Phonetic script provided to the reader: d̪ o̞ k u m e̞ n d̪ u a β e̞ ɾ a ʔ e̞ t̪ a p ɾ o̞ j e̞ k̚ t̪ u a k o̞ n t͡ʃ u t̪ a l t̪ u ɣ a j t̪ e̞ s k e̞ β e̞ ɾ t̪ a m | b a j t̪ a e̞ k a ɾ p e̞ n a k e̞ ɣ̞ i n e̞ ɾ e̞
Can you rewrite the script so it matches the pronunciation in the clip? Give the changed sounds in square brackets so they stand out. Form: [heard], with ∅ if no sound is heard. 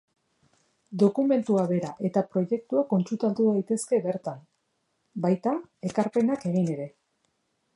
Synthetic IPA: d̪ o̞ k u m e̞ n [t̪] u a β e̞ ɾ a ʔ e̞ t̪ a p ɾ o̞ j e̞ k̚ t̪ u a k o̞ n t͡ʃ u t̪ a l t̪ u [ð] a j t̪ e̞ s k e̞ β e̞ ɾ t̪ a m | b a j t̪ a e̞ k a ɾ p e̞ n a k e̞ ɣ̞ i n e̞ ɾ e̞